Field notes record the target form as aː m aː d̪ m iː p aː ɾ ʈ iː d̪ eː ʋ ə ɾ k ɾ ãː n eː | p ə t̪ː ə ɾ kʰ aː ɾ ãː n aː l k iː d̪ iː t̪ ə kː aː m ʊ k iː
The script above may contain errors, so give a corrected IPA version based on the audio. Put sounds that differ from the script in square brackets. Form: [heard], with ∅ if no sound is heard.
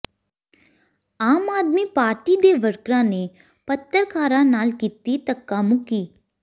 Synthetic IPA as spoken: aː m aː d̪ m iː p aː ɾ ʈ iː d̪ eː ʋ ə ɾ k ɾ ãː n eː | p ə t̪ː ə ɾ kʰ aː ɾ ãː n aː l k iː [t̪] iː t̪ ə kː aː m ʊ k iː

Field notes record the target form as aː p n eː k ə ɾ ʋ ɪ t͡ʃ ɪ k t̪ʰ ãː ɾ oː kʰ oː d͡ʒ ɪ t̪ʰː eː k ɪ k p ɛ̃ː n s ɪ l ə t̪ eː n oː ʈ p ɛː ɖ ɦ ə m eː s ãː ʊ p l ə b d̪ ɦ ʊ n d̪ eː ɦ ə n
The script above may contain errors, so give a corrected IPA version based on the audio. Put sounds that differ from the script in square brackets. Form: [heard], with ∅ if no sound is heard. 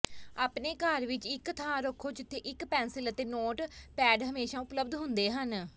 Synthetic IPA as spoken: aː p n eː k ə ɾ ʋ ɪ t͡ʃ ɪ k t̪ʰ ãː ɾ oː kʰ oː d͡ʒ ɪ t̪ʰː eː [ʔ] ɪ k p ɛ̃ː n s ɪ l ə t̪ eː n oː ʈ p ɛː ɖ ɦ ə m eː [ʃ] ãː ʊ p l ə b d̪ ɦ ʊ n d̪ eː ɦ ə n

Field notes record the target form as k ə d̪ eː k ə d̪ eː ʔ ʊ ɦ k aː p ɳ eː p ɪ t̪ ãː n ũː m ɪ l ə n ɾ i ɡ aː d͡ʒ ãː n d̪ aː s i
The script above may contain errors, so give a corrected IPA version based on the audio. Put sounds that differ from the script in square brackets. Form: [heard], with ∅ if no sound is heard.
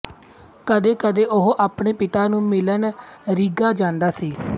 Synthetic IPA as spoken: k ə d̪ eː k ə d̪ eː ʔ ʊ ɦ [ʔ] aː p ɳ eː p ɪ t̪ [aː] n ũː m ɪ l ə n ɾ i ɡ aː d͡ʒ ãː n d̪ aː s [iː]

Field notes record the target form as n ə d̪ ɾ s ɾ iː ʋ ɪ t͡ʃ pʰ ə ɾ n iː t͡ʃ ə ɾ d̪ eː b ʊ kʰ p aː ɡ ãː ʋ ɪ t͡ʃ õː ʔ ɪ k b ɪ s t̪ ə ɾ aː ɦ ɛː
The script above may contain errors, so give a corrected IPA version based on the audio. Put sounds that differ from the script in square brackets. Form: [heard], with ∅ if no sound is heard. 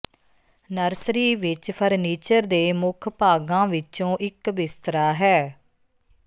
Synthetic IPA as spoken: n ə [∅] ɾ s ɾ iː ʋ ɪ t͡ʃ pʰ ə ɾ n iː t͡ʃ ə ɾ d̪ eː [m] ʊ kʰ p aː ɡ ãː ʋ ɪ t͡ʃ õː ʔ ɪ k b ɪ s t̪ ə ɾ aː ɦ ɛː

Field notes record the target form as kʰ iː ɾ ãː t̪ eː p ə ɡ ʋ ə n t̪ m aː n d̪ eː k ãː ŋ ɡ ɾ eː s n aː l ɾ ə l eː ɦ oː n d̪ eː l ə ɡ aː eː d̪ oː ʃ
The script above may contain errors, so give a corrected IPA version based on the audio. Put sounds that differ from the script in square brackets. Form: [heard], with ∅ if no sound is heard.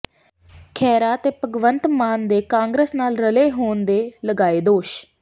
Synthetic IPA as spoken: kʰ [ɛː] ɾ [aː] t̪ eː p ə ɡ ʋ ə n t̪ m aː n d̪ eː k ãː ŋ ɡ ɾ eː s n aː l ɾ ə l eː ɦ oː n d̪ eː l ə ɡ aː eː d̪ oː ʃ

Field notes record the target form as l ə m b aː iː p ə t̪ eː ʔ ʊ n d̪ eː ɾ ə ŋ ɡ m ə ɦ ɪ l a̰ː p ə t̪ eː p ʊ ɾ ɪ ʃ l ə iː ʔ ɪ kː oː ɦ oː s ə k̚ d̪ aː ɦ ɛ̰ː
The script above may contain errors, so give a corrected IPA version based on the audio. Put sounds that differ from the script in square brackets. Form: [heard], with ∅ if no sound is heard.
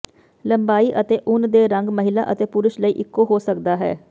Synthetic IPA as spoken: l ə m b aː iː [ʔ] ə t̪ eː ʔ ʊ n d̪ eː ɾ ə ŋ ɡ m ə ɦ ɪ l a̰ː [ʔ] ə t̪ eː p ʊ ɾ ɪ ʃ l ə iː ʔ ɪ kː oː ɦ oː s ə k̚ d̪ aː ɦ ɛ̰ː

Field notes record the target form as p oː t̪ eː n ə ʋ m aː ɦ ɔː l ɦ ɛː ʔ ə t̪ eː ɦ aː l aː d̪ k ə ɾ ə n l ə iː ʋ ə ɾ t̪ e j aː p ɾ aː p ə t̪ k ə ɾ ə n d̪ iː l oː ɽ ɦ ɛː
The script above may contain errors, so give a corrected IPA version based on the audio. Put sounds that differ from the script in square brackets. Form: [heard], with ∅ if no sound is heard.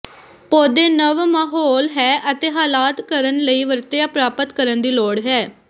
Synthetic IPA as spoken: p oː [d̪] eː n ə ʋ m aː ɦ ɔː l ɦ ɛː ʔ ə t̪ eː ɦ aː l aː [t̪] k ə ɾ ə n l ə iː ʋ ə ɾ t̪ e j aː p ɾ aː p ə t̪ k ə ɾ ə n d̪ iː l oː ɽ ɦ ɛː

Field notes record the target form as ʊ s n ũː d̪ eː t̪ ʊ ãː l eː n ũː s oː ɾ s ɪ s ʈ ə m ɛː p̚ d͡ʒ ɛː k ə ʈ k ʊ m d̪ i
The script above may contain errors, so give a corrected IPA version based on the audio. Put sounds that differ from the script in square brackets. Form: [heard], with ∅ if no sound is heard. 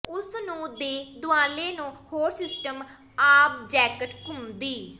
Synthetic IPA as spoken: ʊ s n ũː d̪ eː [d̪] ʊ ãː l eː n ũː [h] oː ɾ s ɪ s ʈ ə m [aː] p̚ d͡ʒ ɛː k ə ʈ k ʊ m d̪ [iː]

